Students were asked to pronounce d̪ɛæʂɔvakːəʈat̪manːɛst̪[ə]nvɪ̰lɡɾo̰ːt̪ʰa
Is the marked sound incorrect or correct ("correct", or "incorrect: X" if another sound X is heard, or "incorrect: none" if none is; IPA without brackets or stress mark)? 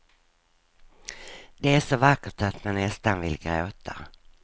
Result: incorrect: a